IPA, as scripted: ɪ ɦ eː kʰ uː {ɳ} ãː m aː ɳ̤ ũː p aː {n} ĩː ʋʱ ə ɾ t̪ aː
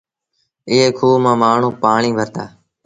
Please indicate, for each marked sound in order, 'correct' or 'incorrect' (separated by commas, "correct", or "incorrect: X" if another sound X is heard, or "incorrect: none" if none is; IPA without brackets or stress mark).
incorrect: m, incorrect: ɳ